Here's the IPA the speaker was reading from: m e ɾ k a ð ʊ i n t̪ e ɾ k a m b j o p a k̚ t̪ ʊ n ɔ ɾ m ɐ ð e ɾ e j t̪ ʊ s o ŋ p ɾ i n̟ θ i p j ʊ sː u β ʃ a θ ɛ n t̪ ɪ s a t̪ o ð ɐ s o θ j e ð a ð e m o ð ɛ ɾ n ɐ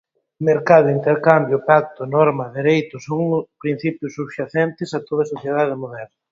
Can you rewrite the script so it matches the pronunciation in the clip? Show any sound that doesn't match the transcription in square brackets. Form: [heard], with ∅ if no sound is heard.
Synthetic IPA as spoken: m e ɾ k a ð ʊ i n t̪ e ɾ k a m b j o p a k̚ t̪ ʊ n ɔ ɾ m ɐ ð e ɾ e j t̪ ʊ s o ŋ p ɾ i n̟ θ i p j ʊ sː u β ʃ a θ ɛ n t̪ ɪ s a t̪ o ð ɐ s o θ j e ð a ð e m o ð ɛ ɾ n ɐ